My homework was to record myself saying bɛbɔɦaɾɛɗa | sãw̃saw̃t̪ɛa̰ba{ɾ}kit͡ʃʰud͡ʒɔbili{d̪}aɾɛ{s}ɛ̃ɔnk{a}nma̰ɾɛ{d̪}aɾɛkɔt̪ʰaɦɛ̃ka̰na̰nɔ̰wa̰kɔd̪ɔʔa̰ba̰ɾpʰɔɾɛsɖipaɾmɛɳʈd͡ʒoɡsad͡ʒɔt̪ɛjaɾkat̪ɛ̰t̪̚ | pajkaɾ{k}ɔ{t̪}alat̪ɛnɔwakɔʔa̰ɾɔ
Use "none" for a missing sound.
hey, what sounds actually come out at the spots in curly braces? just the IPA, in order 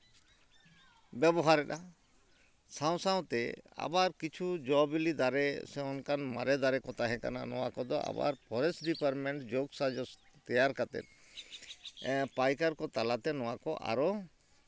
ɾ, d̪, s, a, d̪, k, t̪

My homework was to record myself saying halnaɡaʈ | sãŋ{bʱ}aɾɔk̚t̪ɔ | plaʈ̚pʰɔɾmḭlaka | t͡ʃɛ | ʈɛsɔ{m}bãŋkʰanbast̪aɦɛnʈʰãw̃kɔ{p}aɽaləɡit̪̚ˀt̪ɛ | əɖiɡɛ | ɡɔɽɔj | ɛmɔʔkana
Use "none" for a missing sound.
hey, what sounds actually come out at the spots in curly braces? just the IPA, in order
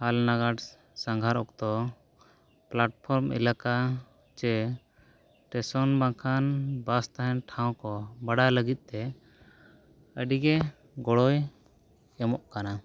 ɡʱ, n, b

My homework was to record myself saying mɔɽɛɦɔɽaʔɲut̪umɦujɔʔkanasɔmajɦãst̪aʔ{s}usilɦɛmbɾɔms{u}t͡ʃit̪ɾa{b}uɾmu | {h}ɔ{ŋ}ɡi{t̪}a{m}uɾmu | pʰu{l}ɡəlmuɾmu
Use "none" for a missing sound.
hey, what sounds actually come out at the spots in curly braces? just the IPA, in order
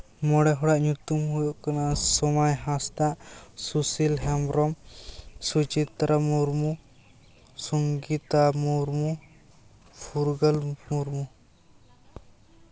s, u, m, s, ŋ, t̪, m, ɾ

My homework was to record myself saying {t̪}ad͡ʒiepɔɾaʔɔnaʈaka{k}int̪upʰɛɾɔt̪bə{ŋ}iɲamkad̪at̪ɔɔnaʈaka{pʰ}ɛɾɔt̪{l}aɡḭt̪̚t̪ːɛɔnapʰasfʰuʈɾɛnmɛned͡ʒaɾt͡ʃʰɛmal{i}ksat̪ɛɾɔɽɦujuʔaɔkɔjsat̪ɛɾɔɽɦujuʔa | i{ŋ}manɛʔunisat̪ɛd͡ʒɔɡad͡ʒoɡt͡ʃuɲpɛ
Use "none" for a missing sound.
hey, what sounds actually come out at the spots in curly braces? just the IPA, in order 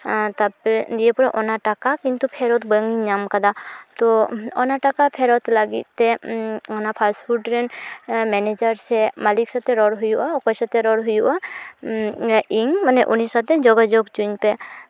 t̪, k, ŋ, pʰ, l, i, ŋ

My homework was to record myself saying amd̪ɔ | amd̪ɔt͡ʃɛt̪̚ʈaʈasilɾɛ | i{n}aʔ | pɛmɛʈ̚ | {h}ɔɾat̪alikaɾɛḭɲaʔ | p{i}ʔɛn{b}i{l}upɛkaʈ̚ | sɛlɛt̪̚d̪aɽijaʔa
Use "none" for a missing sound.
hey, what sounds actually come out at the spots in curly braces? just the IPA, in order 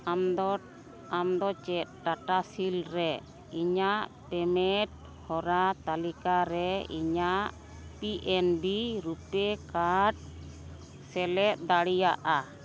ɲ, h, i, b, ɾ

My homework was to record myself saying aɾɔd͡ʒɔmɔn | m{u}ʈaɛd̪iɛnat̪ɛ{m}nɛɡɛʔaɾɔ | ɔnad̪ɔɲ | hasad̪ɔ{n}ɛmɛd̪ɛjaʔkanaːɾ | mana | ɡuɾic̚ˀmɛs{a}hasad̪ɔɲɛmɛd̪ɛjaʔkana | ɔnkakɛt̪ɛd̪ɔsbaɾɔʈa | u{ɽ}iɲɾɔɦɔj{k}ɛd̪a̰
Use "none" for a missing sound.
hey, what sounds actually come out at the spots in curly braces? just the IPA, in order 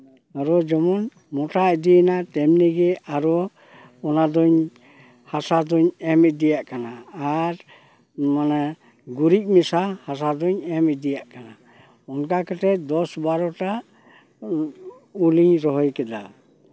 ɔ, m, ɲ, a, l, k

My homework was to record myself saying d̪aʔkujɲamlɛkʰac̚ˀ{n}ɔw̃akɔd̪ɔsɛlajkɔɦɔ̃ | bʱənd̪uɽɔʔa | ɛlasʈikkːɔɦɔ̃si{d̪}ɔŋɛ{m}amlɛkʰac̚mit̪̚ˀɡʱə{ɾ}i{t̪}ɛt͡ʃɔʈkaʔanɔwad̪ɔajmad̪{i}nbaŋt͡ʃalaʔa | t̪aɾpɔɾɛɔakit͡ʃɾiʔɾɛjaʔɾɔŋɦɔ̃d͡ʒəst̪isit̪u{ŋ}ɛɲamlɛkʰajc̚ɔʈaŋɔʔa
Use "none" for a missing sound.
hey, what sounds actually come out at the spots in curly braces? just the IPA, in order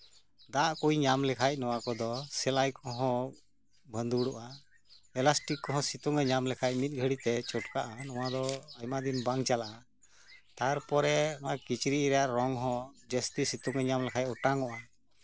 n, t̪, ɲ, ɽ, t̪, i, ŋ

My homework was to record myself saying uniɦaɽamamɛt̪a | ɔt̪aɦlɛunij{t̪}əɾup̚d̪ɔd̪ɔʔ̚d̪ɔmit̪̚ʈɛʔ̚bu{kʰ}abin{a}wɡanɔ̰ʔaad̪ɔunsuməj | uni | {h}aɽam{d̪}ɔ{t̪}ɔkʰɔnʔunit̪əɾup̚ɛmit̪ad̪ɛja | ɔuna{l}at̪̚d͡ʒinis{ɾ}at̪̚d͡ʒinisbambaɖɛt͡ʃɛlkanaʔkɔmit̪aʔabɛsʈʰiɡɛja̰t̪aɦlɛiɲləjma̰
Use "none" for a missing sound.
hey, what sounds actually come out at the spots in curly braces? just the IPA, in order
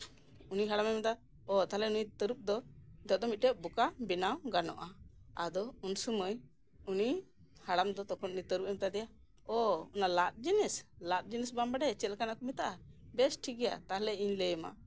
t̪, k, a, h, d̪, t̪, l, l

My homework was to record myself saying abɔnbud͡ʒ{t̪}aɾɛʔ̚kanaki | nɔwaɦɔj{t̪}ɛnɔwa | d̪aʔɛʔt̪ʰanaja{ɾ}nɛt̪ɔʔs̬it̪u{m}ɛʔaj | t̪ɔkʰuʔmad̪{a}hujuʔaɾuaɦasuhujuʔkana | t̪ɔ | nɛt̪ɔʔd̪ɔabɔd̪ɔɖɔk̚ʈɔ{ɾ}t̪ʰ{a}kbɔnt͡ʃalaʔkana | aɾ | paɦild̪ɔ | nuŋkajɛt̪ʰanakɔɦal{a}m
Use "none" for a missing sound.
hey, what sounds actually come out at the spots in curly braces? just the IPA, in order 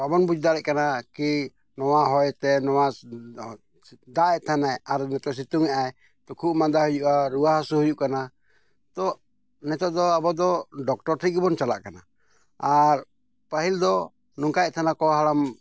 d̪, t̪, ɾ, ŋ, a, ɾ, i, a

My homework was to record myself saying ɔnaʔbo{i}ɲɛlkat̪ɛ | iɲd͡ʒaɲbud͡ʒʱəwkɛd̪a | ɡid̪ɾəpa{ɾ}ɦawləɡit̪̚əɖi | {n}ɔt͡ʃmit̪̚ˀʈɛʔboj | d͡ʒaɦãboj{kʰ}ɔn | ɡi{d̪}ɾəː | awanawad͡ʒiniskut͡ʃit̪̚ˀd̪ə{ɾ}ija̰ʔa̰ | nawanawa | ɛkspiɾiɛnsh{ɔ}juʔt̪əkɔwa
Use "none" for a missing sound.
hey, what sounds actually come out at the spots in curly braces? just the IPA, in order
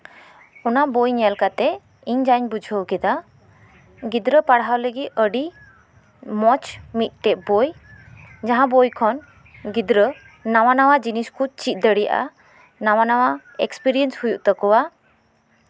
j, ɽ, m, kʰ, d̪, ɽ, u

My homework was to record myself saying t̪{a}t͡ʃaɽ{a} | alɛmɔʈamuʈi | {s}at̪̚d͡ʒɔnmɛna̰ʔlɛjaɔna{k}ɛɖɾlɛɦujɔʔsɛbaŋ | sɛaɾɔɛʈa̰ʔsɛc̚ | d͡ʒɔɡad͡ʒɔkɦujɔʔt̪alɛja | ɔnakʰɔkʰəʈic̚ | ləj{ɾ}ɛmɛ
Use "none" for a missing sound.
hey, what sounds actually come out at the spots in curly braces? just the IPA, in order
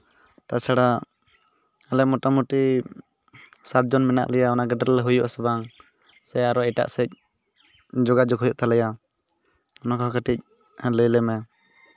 a, a, s, ɡ, l

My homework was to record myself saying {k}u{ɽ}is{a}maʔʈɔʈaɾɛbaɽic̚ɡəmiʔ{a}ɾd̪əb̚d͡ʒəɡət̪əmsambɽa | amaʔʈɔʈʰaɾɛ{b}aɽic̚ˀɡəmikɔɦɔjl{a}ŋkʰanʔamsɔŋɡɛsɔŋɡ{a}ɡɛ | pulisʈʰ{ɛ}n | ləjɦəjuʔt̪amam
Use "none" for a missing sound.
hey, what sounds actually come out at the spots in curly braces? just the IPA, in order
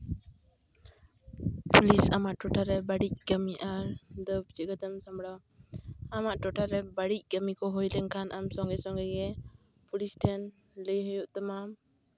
p, l, a, a, b, ɛ, ɛ, ɛ

